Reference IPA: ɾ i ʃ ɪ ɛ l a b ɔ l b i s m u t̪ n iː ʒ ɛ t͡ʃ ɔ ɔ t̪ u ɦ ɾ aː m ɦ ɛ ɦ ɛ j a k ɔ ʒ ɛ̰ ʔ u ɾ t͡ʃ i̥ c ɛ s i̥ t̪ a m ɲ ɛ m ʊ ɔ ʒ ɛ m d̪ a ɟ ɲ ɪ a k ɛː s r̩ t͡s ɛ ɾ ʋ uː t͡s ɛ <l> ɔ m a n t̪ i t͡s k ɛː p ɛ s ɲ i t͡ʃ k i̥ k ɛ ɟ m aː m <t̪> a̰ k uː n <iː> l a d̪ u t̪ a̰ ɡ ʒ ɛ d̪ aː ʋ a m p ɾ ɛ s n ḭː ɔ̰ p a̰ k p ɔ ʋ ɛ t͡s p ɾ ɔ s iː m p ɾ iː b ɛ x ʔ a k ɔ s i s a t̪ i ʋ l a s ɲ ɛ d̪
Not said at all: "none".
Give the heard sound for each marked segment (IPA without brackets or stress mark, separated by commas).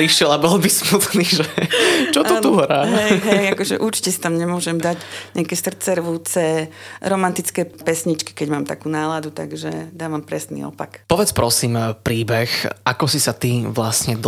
ɾ, t̪, aː